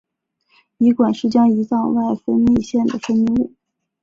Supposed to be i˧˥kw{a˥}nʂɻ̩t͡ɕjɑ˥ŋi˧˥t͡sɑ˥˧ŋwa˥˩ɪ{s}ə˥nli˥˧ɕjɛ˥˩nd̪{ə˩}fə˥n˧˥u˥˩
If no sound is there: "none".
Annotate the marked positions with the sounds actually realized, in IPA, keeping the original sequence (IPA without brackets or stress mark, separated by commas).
a˨˩, f, ə˩